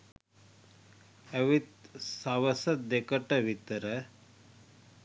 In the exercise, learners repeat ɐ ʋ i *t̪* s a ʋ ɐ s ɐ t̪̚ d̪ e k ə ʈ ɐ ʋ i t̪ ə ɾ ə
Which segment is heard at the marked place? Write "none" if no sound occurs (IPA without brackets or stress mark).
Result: t̪